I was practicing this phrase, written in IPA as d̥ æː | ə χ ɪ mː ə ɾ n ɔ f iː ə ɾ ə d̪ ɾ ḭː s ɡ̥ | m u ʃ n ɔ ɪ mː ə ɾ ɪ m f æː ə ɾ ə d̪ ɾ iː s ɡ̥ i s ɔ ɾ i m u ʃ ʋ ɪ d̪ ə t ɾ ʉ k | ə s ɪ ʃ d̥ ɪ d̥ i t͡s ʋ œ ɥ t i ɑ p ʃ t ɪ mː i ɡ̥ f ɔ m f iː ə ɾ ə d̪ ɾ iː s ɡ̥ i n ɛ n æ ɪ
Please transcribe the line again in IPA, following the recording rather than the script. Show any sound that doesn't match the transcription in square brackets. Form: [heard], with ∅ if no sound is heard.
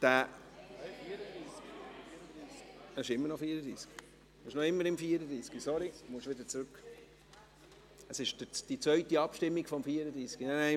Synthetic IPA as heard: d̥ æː | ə [ʃ] ɪ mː ə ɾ n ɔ f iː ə ɾ ə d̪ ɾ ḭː s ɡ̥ | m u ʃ n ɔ ɪ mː ə ɾ ɪ m f [iː] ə ɾ ə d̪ ɾ iː s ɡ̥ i s ɔ ɾ i m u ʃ ʋ ɪ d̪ ə [t͡s] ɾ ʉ k | ə s ɪ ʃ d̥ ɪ d̥ i t͡s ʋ œ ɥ t i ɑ p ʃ t ɪ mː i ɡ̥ f ɔ m f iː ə ɾ ə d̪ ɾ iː s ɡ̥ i n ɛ n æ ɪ